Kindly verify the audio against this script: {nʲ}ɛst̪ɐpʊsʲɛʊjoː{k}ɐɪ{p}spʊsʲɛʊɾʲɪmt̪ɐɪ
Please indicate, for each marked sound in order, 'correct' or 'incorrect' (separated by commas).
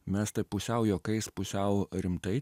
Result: incorrect, correct, incorrect